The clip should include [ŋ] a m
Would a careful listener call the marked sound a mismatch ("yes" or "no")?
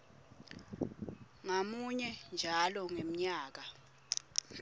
no